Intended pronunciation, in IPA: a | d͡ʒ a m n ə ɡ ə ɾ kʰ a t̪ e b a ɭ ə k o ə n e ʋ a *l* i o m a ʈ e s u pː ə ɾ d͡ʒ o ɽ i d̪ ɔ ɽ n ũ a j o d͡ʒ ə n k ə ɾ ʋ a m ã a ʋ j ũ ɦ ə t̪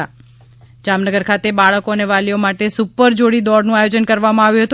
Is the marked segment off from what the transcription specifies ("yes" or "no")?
no